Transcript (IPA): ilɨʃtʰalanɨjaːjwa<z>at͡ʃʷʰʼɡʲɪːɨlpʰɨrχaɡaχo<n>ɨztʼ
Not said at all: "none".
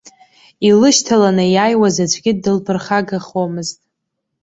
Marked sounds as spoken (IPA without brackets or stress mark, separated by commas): z, m